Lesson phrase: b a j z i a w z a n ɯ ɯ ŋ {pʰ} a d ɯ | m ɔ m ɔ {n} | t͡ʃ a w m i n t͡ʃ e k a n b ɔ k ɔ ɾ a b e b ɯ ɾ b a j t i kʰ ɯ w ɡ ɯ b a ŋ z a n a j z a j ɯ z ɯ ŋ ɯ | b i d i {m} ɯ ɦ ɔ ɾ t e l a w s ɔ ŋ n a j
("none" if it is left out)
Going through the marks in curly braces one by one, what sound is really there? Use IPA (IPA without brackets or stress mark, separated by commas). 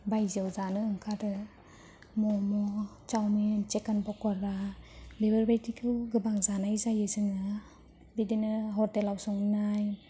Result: kʰ, none, n